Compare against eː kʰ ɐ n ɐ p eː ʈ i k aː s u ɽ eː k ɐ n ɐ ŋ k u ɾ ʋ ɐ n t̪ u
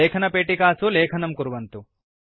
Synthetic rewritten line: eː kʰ ɐ n ɐ p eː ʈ i k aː s u l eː kʰ ɐ n ɐ m k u ɾ ʋ ɐ n t̪ u